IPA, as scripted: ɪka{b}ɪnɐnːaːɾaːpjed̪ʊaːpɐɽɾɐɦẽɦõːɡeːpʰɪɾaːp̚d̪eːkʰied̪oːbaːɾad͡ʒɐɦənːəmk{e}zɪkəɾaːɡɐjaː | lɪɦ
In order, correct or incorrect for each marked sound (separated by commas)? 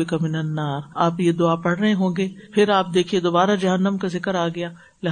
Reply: incorrect, incorrect